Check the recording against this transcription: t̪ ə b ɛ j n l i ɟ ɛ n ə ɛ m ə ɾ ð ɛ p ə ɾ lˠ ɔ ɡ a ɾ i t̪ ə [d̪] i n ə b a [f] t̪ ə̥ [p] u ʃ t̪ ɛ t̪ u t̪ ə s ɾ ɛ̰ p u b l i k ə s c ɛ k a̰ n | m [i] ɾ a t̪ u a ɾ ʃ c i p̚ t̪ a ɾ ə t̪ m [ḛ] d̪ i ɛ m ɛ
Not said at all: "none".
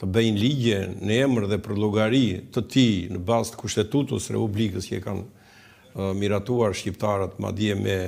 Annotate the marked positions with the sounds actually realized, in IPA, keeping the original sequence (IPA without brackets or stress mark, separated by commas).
t̪, s, k, i, a̰